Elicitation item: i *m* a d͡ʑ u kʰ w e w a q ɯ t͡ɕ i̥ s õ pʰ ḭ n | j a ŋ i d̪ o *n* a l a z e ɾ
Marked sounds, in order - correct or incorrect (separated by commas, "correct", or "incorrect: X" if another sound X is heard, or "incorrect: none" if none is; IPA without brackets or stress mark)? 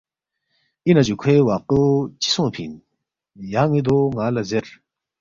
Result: incorrect: n, incorrect: ŋ